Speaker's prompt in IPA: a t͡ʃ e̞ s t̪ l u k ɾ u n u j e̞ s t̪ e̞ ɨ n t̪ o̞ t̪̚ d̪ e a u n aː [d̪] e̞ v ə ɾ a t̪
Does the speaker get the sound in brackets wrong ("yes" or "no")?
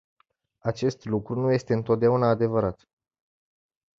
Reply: no